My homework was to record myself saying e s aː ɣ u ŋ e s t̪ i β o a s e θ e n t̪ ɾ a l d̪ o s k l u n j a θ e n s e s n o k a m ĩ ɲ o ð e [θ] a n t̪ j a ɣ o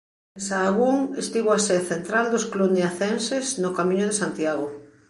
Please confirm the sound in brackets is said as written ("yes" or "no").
no